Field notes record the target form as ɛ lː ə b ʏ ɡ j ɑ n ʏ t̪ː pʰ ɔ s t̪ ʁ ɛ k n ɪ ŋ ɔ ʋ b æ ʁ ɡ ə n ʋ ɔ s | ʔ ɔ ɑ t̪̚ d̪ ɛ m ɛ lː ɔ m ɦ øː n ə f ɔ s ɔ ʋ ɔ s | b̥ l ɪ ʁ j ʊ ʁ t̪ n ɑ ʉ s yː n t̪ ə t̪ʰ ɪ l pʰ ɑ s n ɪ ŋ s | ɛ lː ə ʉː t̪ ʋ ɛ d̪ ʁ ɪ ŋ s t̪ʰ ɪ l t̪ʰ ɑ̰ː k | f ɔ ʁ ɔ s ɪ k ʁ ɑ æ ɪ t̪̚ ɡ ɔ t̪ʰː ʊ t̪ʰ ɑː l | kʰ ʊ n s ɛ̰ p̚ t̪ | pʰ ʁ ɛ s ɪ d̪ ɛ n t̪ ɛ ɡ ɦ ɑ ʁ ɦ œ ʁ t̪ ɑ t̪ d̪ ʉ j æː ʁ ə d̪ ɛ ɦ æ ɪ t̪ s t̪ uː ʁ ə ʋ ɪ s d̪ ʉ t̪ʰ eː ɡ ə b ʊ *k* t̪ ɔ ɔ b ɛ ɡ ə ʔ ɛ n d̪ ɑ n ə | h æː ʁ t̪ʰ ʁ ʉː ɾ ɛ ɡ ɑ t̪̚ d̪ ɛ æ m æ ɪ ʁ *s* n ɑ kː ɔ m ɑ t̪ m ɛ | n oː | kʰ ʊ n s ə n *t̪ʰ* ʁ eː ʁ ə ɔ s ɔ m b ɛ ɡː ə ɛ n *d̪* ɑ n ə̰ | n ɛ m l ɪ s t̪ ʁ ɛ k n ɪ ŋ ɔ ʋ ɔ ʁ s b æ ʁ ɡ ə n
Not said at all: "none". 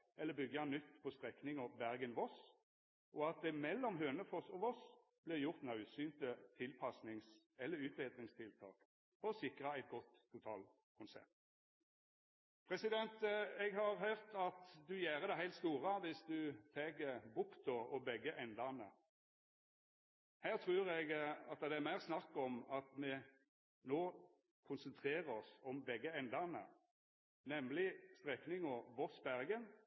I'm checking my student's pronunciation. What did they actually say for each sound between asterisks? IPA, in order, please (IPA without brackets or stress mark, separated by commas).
k, s, t̪ʰ, d̪